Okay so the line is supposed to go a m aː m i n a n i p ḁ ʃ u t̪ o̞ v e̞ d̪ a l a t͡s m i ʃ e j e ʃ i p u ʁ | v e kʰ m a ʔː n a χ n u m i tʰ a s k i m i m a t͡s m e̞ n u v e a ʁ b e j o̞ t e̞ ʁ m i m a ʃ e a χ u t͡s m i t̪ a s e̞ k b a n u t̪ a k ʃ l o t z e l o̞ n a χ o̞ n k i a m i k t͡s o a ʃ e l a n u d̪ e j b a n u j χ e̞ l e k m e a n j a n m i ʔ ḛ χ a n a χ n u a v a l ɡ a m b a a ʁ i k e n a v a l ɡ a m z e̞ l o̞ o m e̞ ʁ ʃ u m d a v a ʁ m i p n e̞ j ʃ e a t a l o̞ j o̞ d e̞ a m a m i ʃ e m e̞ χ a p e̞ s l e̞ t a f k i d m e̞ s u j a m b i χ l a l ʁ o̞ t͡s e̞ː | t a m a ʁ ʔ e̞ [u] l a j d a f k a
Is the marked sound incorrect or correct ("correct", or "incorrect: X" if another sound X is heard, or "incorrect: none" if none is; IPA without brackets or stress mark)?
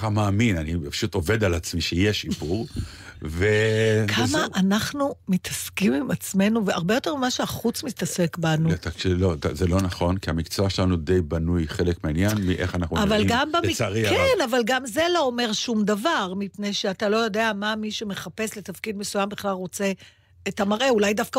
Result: correct